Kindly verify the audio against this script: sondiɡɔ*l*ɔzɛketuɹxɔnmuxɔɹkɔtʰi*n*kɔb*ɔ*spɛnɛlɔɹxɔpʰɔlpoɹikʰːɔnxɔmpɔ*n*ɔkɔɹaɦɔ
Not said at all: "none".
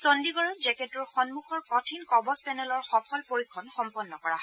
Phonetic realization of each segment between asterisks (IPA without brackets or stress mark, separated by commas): ɹ, n, ɔ, nː